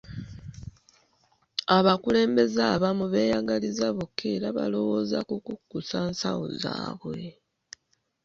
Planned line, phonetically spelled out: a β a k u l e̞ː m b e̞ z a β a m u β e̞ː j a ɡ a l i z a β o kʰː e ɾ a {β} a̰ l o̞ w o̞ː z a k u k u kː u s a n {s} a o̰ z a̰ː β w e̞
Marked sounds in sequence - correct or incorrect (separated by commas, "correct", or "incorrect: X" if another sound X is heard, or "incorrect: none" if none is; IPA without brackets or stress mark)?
correct, correct